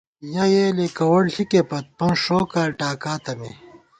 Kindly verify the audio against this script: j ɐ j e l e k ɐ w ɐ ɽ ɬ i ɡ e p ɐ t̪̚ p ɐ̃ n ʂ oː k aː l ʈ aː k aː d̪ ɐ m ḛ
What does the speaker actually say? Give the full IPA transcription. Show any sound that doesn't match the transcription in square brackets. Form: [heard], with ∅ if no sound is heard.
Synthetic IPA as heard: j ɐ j e l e k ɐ w ɐ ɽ ɬ i [k] e p ɐ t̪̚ p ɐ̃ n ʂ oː k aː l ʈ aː k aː [t̪] ɐ m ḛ